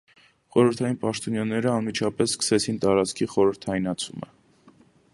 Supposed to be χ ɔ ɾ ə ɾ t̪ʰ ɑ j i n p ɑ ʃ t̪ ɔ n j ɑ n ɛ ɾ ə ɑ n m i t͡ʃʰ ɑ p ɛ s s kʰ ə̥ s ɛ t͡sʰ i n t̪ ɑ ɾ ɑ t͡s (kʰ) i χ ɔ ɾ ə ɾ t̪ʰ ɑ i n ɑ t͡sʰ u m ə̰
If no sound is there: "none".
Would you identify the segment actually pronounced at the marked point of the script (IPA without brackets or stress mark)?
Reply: kʰ